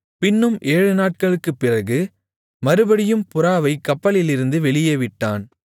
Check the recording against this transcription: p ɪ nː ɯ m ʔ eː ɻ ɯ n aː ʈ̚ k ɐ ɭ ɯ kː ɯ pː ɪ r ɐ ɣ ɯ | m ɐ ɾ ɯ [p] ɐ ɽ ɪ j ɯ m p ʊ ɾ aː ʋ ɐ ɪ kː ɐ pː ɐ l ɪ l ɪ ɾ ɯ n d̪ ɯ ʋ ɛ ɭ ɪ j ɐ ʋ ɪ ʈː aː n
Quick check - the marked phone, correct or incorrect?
incorrect